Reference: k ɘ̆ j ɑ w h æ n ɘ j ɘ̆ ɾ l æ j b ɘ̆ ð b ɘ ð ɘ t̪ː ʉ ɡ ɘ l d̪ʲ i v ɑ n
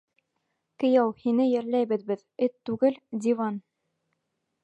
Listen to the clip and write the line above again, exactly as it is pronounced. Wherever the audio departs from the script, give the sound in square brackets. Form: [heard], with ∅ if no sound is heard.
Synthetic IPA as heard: k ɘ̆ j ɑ w h [i] n ɘ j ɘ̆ ɾ l æ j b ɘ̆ ð b ɘ ð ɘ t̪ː ʉ ɡ ɘ l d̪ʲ i v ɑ n